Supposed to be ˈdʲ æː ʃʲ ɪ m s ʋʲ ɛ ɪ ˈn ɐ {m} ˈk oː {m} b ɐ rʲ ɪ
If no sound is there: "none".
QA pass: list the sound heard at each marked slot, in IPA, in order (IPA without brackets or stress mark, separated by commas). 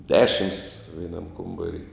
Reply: m, m